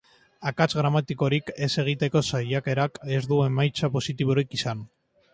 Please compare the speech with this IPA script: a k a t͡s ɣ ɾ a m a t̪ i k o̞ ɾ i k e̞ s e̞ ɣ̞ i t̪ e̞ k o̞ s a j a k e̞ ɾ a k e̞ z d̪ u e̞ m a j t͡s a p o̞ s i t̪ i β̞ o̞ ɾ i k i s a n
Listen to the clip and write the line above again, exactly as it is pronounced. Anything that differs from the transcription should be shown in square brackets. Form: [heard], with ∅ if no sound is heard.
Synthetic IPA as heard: a k a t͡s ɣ ɾ a m a t̪ i k o̞ ɾ i k e̞ s e̞ ɣ̞ i t̪ e̞ k o̞ s a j a k e̞ ɾ a k e̞ z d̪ u e̞ m a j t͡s a p o̞ s i t̪ i β̞ o̞ ɾ i k i s a n